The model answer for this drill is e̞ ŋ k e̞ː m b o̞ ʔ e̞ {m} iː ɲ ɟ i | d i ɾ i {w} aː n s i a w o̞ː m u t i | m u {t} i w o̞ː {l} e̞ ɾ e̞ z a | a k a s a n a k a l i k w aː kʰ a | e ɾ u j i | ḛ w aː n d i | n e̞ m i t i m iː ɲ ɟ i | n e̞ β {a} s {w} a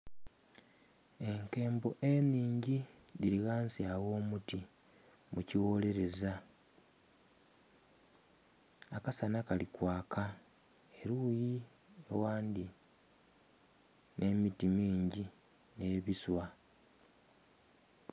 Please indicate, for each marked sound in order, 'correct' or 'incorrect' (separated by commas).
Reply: incorrect, incorrect, incorrect, correct, incorrect, correct